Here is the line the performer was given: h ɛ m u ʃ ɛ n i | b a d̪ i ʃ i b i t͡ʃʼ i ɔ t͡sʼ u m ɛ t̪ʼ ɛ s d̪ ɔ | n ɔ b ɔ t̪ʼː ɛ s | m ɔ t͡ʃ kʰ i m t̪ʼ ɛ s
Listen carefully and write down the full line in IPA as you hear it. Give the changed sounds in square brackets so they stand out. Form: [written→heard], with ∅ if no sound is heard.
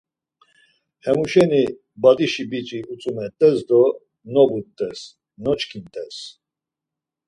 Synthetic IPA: h ɛ m u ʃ ɛ n i | b a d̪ i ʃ i b i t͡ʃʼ i [ɔ→u] t͡sʼ u m ɛ t̪ʼ ɛ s d̪ ɔ | n ɔ b [ɔ→u] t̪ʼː ɛ s | [m→n] ɔ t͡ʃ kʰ i [m→n] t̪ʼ ɛ s